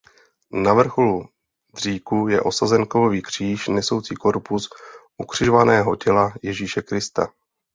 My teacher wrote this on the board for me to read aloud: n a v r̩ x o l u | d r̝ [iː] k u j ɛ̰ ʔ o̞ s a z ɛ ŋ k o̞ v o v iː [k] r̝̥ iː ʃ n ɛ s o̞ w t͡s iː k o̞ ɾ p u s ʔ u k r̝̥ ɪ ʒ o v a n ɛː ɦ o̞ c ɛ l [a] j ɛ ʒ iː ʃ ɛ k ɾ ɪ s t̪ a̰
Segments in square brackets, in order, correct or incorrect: correct, correct, correct

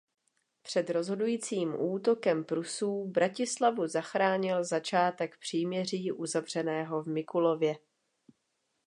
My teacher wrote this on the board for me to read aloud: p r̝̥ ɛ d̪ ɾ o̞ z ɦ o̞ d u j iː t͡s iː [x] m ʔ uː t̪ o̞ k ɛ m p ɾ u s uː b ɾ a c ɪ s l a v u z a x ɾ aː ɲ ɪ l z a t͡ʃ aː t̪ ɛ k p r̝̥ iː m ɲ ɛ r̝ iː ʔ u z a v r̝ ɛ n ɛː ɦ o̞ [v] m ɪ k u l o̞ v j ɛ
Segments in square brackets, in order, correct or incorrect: incorrect: none, correct

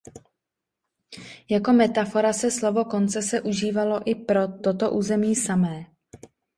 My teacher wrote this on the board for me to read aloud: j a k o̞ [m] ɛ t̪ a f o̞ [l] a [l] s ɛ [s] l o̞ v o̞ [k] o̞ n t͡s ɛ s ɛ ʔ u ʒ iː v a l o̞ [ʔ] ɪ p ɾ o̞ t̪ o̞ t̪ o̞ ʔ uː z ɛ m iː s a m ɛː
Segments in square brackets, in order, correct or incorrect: correct, incorrect: ɾ, incorrect: none, correct, correct, correct

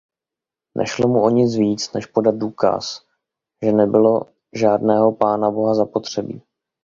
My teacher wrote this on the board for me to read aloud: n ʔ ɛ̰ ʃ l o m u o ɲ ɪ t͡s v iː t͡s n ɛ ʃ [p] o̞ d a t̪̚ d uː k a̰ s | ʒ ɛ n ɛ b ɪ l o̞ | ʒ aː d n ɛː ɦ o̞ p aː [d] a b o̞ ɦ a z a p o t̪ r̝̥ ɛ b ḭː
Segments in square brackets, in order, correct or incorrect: correct, incorrect: n

